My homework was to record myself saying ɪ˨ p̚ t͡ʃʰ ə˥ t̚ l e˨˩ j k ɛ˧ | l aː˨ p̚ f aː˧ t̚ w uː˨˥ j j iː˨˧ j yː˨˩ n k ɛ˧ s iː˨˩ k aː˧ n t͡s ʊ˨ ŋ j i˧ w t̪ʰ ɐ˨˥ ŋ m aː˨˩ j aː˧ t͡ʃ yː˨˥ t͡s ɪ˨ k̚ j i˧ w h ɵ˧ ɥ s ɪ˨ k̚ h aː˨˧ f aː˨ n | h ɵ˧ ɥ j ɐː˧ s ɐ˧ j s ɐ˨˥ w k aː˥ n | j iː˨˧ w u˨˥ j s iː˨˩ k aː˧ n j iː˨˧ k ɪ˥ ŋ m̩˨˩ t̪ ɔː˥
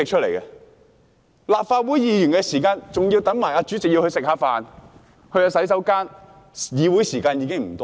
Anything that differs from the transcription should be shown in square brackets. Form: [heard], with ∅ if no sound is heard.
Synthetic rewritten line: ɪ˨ [k̚] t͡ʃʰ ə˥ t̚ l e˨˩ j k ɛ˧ | l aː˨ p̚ f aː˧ t̚ w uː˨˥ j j iː˨˧ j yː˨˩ n k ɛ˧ s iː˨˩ k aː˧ n t͡s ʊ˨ ŋ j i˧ w [t̪] ɐ˨˥ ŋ m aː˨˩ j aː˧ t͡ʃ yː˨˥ t͡s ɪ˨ k̚ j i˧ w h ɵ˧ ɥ s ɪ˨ k̚ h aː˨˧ f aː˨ n | h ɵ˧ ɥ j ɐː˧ s [ɐ˨˥] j s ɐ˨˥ w k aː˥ n | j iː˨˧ w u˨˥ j s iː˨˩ k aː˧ n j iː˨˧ k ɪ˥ ŋ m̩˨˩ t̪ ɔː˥